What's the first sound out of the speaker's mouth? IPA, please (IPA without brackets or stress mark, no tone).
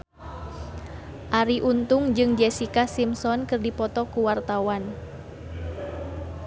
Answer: ʔ